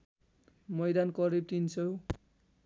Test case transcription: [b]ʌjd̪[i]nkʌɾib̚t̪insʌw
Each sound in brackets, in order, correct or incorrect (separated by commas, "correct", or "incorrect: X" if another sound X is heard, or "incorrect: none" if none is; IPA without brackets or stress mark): incorrect: m, incorrect: a